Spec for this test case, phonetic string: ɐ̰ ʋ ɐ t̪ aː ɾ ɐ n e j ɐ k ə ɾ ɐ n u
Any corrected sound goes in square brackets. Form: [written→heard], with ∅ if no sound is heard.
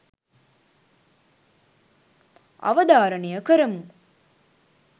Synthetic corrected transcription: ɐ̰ ʋ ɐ [t̪→d̪] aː ɾ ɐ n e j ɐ k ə ɾ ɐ [n→m] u